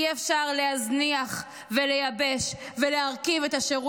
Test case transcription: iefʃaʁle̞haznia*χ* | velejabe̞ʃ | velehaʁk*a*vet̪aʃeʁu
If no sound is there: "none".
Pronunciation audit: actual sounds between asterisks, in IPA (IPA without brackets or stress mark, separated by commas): χ, i